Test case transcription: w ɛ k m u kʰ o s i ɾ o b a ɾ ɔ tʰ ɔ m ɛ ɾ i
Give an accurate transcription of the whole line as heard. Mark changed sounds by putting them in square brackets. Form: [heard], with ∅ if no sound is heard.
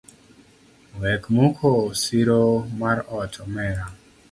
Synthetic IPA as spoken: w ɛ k m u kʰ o s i ɾ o [m] a ɾ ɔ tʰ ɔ m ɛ ɾ [a]